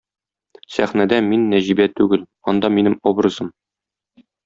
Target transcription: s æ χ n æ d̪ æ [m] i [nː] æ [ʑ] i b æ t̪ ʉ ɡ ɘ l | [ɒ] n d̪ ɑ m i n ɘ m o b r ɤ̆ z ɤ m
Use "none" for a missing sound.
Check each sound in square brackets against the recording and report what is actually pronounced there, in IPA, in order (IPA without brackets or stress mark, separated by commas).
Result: m, nː, ʑ, ɒ